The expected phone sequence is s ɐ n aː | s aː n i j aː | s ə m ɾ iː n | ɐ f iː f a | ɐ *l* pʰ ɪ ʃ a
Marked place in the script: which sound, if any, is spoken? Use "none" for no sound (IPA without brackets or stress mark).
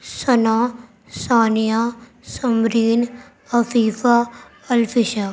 l